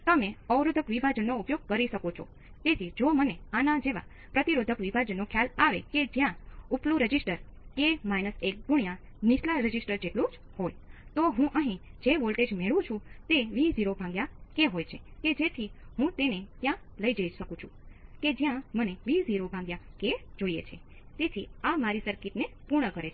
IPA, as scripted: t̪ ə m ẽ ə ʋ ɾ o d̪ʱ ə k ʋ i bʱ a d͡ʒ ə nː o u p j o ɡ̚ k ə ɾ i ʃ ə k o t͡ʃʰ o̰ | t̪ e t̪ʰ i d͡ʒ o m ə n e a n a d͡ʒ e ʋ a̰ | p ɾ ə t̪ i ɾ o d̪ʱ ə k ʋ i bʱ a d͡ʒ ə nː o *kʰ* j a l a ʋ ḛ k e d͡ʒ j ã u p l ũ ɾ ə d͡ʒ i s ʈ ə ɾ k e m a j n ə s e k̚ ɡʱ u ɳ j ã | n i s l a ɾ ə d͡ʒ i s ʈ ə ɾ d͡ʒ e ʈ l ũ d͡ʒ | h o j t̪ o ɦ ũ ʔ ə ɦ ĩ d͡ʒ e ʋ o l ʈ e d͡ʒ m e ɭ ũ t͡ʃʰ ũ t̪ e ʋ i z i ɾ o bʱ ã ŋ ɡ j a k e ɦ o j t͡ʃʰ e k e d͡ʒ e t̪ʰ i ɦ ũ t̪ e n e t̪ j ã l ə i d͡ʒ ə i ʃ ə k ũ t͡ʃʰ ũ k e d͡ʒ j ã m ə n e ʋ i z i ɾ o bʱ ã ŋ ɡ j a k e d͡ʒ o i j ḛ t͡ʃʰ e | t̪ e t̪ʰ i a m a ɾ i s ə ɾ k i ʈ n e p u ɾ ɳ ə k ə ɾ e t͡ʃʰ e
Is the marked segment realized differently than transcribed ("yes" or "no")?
no